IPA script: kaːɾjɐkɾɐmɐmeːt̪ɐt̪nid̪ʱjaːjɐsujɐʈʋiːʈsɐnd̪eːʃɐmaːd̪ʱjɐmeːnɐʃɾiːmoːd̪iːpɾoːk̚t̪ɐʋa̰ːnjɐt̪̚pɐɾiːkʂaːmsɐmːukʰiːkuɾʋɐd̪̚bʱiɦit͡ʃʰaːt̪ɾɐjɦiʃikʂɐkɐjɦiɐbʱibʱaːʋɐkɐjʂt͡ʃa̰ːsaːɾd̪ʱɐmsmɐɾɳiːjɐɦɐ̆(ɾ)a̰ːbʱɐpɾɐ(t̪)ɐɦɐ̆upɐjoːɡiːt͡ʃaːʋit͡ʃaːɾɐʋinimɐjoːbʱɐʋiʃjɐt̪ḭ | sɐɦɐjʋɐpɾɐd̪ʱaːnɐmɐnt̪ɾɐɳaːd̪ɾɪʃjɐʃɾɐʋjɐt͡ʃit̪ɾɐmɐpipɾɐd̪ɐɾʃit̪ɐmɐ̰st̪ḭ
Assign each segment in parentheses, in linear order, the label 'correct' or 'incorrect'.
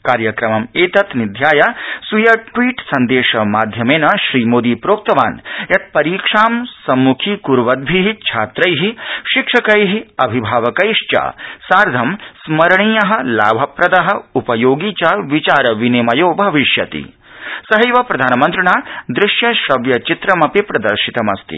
incorrect: l, incorrect: d̪

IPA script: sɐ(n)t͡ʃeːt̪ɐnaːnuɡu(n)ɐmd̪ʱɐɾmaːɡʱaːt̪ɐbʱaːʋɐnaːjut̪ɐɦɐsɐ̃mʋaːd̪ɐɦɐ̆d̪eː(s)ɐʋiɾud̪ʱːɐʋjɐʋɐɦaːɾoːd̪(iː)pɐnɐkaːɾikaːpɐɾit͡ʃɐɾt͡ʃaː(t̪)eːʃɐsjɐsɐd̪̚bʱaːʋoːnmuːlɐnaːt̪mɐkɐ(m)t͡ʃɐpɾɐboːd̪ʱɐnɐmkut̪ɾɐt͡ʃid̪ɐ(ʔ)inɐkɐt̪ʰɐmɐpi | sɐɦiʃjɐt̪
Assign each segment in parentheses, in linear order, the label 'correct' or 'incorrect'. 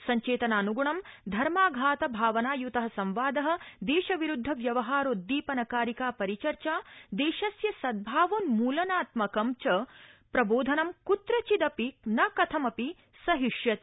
incorrect: ɲ, incorrect: ɳ, incorrect: ʃ, correct, incorrect: d̪, correct, incorrect: p

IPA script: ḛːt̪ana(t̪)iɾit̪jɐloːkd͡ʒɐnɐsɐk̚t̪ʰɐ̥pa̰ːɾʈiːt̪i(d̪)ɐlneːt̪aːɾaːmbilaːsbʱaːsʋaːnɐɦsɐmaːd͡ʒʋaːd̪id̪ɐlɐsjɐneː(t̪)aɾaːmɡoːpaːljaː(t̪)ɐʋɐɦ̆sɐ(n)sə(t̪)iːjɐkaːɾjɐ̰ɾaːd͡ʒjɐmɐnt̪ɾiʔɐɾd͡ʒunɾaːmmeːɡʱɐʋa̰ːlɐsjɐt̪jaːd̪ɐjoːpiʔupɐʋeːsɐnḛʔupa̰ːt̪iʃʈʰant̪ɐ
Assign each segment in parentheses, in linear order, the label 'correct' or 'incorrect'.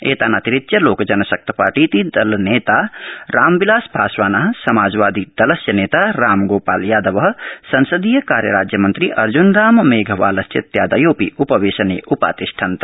correct, correct, correct, incorrect: d̪, correct, incorrect: d̪

